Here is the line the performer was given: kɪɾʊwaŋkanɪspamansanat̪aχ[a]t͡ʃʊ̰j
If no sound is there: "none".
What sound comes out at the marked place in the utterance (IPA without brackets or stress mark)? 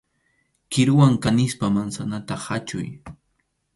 a